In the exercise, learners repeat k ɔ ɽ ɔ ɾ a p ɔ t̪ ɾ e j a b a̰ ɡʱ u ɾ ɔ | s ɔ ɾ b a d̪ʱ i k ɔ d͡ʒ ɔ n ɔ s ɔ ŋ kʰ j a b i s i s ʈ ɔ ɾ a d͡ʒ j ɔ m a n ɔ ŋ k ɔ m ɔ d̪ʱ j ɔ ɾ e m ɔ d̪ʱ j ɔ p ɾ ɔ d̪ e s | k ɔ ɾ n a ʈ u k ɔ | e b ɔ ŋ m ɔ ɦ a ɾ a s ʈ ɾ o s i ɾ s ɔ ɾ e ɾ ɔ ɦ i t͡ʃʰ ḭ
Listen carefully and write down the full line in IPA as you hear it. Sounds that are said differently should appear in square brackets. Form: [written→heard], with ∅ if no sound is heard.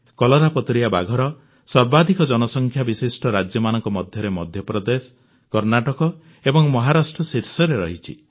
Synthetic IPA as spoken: k ɔ [ɽ→l] ɔ ɾ a p ɔ t̪ ɾ [e→i] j a b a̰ ɡʱ [u→ɔ] ɾ ɔ | s ɔ ɾ b a d̪ʱ i k ɔ d͡ʒ ɔ n ɔ s ɔ ŋ kʰ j a b i s i s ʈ ɔ ɾ a d͡ʒ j ɔ m a n ɔ ŋ k ɔ m ɔ d̪ʱ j ɔ ɾ e m ɔ d̪ʱ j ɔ p ɾ ɔ d̪ e s | k ɔ ɾ n a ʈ [u→ɔ] k ɔ | e b ɔ ŋ m ɔ ɦ a ɾ a s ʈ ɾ [o→ɔ] s i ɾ s ɔ ɾ e ɾ ɔ ɦ i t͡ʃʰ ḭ

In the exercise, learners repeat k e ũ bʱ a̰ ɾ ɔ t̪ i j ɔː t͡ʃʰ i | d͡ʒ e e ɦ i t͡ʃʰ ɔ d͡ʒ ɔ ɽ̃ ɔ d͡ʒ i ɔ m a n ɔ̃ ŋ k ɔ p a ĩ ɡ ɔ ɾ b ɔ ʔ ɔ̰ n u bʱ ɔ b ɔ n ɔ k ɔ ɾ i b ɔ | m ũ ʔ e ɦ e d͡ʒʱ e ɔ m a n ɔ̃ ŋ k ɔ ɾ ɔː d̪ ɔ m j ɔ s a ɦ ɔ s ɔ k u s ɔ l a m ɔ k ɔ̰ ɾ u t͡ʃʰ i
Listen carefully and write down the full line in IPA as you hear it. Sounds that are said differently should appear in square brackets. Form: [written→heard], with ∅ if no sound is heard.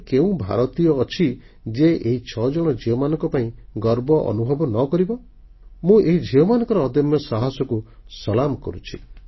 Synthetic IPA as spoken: k e ũ bʱ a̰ ɾ ɔ t̪ i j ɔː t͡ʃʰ i | d͡ʒ e e ɦ i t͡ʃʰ ɔ d͡ʒ ɔ ɽ̃ ɔ d͡ʒ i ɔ m a n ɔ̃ ŋ k ɔ p a ĩ ɡ ɔ ɾ b ɔ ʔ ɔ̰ n u bʱ ɔ b ɔ n ɔ k ɔ ɾ i b ɔ | m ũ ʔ e ɦ [e→i] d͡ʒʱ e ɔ m a n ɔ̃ ŋ k ɔ ɾ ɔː d̪ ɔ m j ɔ s a ɦ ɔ s ɔ k u s ɔ l a m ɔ k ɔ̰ ɾ u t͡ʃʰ i

